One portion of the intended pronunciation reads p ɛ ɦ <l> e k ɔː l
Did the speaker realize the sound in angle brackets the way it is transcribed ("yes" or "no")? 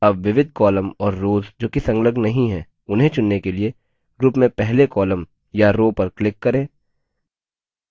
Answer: yes